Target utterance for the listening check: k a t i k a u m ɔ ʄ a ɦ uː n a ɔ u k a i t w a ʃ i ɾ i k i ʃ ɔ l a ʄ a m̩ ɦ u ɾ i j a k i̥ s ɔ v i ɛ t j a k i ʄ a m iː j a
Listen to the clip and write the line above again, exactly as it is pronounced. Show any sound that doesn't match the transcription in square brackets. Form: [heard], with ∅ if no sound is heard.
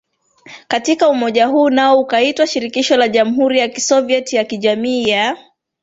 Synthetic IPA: k a t i k a u m ɔ ʄ a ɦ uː n a ɔ u k a i t w a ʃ i ɾ i k i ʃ ɔ l a ʄ a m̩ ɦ u ɾ i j a k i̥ s ɔ v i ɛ t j a k i ʄ a m iː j a